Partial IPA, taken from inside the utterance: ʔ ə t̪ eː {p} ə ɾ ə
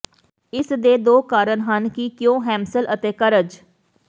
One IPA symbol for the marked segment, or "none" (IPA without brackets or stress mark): k